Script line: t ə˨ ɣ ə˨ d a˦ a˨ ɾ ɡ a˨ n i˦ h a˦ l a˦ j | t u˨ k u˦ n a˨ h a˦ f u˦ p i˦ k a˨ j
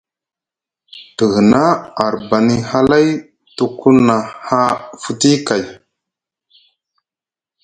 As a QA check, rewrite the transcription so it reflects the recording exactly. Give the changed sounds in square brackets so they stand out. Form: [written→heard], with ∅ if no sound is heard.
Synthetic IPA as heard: t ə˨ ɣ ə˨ [d→n] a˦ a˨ ɾ [ɡ→b] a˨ n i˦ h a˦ l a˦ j | t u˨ k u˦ n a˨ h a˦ f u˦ [p→t] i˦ k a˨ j